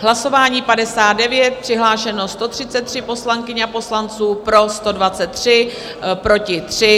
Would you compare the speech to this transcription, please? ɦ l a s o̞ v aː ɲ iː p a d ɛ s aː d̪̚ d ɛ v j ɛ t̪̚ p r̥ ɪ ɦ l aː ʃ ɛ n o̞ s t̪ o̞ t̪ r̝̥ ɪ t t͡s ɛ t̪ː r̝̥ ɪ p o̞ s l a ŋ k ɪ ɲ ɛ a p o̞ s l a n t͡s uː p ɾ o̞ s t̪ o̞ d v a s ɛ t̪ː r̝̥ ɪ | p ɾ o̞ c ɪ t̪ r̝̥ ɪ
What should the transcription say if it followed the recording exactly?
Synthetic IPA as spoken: ɦ l a s o̞ v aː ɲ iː p a d ɛ s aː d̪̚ d ɛ v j ɛ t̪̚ p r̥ ɪ ɦ l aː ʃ ɛ n o̞ s t̪ o̞ t̪ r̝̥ ɪ t t͡s ɛ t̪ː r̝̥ ɪ p o̞ s l a ŋ k ɪ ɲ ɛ a p o̞ s l a n t͡s uː p ɾ o̞ s t̪ o̞ d v a t͡s ɛ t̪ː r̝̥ ɪ | p ɾ o̞ c ɪ t̪ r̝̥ ɪ